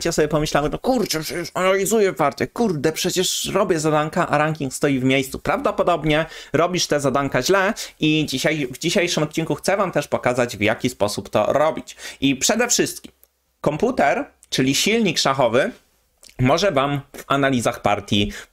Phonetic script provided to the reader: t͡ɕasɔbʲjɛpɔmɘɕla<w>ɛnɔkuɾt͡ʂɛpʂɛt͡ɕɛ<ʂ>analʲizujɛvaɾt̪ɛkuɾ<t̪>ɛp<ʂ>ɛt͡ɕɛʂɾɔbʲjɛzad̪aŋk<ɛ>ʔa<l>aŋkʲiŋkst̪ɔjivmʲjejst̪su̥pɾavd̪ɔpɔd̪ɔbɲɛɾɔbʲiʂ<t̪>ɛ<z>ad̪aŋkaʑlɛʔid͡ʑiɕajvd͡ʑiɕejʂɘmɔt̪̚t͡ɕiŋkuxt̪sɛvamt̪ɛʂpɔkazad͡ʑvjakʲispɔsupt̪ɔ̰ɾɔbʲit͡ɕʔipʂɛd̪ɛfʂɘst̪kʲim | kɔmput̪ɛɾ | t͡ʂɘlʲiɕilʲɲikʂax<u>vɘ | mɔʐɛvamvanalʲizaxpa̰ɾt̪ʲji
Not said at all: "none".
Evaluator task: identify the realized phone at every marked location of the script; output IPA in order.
w, ʂ, d̪, ʂ, a, ɾ, t̪, z, ɔ

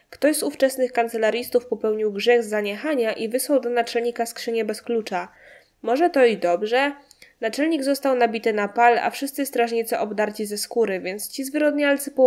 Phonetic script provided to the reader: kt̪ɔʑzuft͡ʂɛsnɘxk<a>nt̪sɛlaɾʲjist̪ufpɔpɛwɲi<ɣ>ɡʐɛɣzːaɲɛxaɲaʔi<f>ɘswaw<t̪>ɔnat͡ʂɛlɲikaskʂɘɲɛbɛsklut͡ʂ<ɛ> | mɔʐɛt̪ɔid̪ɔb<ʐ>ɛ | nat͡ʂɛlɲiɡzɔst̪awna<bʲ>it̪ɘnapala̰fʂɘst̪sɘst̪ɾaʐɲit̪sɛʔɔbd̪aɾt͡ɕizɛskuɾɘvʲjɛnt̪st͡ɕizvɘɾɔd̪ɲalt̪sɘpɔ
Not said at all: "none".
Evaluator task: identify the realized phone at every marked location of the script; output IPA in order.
a, w, v, d̪, a, ʐ, bʲ

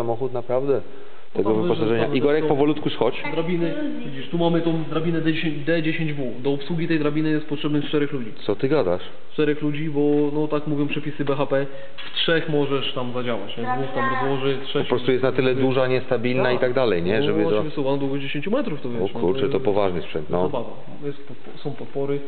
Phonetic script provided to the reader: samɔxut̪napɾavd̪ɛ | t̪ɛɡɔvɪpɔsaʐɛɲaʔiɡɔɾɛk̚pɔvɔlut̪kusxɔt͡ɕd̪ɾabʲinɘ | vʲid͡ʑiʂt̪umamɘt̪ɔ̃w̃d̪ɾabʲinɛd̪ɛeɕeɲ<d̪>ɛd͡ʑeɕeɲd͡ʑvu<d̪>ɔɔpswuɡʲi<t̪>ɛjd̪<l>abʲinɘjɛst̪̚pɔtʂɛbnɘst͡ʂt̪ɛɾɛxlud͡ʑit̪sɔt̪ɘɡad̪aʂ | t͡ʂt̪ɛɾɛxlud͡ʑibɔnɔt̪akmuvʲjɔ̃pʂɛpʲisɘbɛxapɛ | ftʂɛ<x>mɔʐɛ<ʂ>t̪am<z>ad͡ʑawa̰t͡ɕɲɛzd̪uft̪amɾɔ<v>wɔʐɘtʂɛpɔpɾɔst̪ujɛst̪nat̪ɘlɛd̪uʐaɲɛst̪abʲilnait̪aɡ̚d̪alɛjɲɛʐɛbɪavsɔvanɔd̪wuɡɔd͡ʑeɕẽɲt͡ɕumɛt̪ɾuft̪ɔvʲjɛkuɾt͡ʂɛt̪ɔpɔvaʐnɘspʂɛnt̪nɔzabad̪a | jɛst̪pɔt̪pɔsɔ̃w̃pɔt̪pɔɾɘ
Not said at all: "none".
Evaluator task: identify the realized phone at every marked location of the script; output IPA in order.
d̪, d̪, t̪, ɾ, x, ʂ, z, z

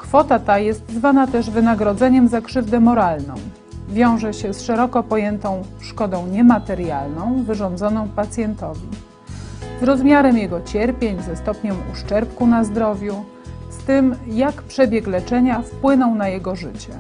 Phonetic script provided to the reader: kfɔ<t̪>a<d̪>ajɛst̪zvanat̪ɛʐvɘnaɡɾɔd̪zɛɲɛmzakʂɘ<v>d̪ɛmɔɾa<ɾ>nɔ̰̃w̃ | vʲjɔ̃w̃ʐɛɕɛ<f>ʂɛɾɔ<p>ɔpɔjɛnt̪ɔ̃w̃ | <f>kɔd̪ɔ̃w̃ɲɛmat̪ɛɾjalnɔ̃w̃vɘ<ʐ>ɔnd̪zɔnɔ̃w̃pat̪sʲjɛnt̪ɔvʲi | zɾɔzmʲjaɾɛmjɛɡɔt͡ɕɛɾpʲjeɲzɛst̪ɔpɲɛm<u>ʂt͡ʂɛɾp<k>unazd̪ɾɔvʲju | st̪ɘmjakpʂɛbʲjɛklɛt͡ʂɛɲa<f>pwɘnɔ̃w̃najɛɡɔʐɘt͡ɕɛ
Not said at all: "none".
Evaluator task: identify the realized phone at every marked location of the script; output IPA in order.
t̪, t̪, v, l, s, k, ʂ, ʐ, u, k, f

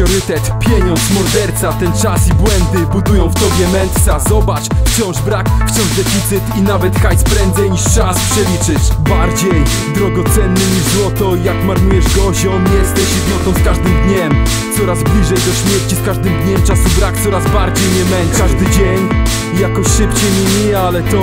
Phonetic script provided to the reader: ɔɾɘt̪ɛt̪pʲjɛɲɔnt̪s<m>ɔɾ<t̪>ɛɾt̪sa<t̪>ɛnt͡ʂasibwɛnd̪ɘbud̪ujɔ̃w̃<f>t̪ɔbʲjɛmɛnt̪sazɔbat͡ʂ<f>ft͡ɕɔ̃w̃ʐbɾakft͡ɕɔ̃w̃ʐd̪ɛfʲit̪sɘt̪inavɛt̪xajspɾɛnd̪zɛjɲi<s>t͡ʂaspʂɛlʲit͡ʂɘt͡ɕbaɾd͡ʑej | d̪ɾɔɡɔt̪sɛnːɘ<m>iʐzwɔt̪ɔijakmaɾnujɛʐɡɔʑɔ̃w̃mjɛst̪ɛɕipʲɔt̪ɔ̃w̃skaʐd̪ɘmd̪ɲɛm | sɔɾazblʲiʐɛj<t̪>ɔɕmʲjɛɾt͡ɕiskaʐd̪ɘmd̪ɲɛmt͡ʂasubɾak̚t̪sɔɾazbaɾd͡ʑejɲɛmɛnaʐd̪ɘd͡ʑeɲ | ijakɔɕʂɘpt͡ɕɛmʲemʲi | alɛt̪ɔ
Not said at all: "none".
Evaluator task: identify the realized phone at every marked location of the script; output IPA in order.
m, d̪, t̪, f, f, ʂ, ɲ, d̪

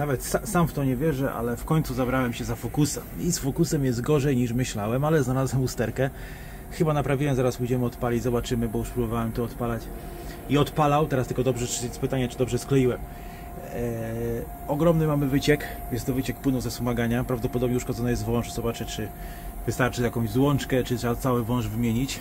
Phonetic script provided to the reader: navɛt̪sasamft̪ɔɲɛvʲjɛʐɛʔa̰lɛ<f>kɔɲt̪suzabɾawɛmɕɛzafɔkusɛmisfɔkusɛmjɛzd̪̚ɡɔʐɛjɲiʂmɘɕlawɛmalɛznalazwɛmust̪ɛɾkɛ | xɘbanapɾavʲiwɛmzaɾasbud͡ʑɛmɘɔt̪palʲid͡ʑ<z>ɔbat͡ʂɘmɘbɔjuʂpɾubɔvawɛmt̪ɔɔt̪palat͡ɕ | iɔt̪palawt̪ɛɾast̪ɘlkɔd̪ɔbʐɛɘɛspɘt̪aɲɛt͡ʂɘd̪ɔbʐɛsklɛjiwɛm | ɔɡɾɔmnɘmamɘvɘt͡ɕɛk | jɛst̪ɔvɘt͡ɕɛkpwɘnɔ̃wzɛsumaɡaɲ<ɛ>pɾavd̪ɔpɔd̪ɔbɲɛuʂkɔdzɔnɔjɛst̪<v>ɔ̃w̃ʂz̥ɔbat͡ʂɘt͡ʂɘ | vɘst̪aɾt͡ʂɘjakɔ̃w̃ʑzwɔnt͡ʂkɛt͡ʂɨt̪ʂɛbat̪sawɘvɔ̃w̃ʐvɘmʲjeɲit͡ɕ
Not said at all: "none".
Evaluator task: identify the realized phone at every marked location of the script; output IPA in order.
f, z, a, v

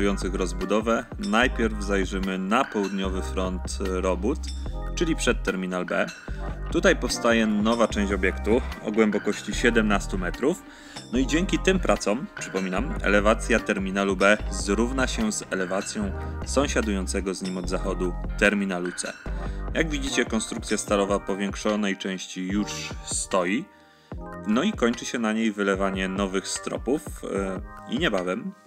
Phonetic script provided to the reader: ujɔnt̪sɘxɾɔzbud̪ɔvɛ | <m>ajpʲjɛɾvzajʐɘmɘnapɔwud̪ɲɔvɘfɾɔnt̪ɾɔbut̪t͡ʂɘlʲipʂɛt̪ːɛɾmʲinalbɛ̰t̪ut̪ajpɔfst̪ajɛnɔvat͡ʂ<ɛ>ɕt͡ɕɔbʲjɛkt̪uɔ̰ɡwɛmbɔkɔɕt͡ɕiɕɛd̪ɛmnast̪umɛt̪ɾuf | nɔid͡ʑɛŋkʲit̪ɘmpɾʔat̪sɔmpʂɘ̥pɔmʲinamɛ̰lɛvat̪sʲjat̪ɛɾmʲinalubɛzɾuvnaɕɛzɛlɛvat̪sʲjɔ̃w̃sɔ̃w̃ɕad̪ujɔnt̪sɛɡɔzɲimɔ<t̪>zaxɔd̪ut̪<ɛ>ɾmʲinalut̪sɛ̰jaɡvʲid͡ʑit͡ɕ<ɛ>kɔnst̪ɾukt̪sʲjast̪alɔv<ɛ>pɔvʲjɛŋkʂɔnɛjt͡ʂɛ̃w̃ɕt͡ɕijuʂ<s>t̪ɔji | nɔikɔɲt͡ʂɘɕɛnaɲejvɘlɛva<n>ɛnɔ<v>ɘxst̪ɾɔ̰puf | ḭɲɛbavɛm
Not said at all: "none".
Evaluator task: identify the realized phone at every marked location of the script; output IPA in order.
n, ɛ̃, d̪, ɛ, ɛ, a, s, ɲ, v

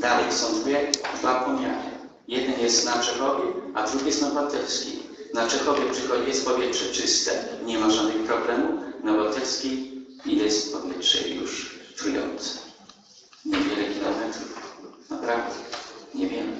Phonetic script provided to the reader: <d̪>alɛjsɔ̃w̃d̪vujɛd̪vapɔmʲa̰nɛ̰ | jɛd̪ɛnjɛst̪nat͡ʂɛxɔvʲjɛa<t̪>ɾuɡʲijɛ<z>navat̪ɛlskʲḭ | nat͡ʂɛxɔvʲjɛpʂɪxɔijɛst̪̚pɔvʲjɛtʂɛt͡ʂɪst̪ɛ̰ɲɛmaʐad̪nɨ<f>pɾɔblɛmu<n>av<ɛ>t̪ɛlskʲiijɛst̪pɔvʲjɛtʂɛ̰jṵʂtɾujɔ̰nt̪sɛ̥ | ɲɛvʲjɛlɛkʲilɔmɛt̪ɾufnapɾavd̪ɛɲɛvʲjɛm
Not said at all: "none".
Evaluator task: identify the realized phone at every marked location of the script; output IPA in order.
d̪, d̪, s, x, n, a

